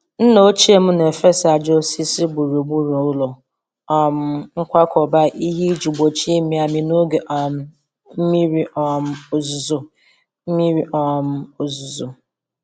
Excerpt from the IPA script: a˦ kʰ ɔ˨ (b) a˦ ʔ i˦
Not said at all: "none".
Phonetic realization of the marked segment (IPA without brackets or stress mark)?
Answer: b